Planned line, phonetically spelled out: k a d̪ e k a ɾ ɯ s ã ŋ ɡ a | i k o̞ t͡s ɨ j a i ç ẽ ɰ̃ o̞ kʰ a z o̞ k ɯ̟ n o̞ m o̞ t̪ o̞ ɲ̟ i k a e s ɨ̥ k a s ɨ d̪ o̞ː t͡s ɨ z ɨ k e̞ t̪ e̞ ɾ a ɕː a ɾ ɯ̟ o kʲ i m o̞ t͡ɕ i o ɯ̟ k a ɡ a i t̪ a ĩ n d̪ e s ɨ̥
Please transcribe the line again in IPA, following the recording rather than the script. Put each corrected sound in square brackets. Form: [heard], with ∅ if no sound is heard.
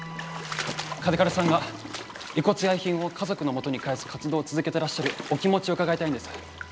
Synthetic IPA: k a d̪ e k a ɾ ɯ s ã ŋ ɡ a | i k o̞ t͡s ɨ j a i ç [ĩ] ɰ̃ o̞ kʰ a z o̞ k ɯ̟ n o̞ m o̞ t̪ o̞ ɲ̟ i k a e s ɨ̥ k a [t͡s] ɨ d̪ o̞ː t͡s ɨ z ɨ k e̞ t̪ e̞ ɾ a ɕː a ɾ ɯ̟ o kʲ i m o̞ t͡ɕ i o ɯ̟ k a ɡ a i t̪ a ĩ n d̪ e s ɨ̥